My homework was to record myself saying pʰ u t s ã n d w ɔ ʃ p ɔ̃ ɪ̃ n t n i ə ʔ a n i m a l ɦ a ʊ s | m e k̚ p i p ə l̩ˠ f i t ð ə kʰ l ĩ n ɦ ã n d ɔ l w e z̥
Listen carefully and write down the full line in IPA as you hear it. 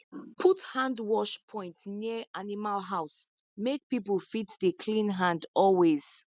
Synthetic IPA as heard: pʰ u t h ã n d w ɔ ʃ pʰ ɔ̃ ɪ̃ n t n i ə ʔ a n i m a l ɦ a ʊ s | m e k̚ p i p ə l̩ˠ f i t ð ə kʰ l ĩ n ɦ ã n d ɔ l w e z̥

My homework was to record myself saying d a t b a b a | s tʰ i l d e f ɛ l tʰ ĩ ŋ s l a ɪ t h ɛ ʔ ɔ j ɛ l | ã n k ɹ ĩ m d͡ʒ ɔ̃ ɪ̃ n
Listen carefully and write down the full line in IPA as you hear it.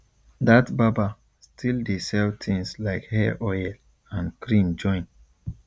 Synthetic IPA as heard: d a t b a b a | s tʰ i l d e s ɛ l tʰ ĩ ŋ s l a ɪ k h ɛ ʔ ɔ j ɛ l | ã n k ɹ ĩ m d͡ʒ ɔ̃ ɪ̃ n

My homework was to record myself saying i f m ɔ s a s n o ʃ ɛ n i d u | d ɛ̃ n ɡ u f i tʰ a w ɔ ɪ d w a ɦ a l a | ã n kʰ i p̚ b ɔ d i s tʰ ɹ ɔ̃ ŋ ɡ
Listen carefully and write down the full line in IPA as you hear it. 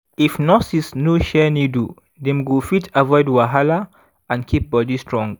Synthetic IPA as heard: i f n ɔ s i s n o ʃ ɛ n i d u | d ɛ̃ m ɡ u f i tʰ a v ɔ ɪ d w a ɦ a l a | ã n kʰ i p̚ b ɔ d i s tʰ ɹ ɔ̃ ŋ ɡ

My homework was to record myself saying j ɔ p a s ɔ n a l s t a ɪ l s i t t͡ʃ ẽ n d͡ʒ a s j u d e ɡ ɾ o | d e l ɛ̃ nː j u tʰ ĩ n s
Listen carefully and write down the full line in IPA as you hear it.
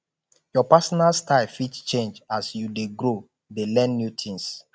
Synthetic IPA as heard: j ɔ p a s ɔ n a l s t a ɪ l f i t t͡ʃ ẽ n d͡ʒ a s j u d e ɡ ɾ o | d e l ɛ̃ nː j u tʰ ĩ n s

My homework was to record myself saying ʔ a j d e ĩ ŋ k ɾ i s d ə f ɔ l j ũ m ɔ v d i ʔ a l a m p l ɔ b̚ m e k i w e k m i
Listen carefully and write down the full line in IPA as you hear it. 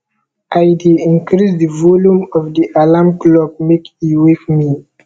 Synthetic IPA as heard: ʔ a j d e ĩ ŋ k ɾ i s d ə v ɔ l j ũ m ɔ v d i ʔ a l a m k l ɔ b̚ m e k i w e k m i

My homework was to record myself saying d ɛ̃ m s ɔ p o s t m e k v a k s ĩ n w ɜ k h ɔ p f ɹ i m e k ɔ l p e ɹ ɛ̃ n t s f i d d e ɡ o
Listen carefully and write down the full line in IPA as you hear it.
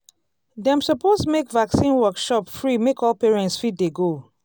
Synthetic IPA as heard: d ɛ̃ m s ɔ p o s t m e k v a k s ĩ n w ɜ k ʃ ɔ p f ɹ i m e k ɔ l p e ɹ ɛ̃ n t s f i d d e ɡ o

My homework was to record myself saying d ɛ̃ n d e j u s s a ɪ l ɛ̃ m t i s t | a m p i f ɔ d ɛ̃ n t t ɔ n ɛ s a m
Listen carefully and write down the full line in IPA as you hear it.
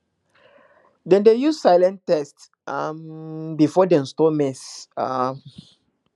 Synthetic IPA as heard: d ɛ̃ n d e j u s s a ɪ l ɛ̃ n t ɛ s t | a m b i f ɔ d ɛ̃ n s t ɔ m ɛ s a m

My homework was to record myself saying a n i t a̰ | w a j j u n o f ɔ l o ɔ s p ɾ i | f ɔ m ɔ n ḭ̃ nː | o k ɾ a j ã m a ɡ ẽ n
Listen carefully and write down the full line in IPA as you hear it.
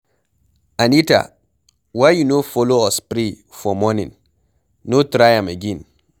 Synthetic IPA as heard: a n i t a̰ | w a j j u n o f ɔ l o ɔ s p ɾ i | f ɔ m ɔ n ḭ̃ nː | o t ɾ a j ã m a ɡ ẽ n

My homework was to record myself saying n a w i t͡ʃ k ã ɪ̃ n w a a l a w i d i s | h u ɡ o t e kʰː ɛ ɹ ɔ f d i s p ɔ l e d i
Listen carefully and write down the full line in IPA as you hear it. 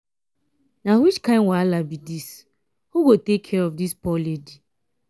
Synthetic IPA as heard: n a w i t͡ʃ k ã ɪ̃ n w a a l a b i d i s | h u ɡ o t e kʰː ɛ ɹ ɔ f d i s p ɔ l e d i

